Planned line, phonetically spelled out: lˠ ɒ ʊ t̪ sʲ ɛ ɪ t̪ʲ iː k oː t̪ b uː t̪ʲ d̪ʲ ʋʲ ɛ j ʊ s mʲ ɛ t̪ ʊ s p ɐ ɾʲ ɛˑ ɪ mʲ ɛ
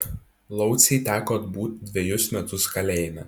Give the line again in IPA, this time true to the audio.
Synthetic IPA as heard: lˠ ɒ ʊ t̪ sʲ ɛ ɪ t̪ʲ æː k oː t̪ b uː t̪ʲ d̪ʲ ʋʲ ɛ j ʊ s mʲ ɛ t̪ ʊ s k ɐ lʲ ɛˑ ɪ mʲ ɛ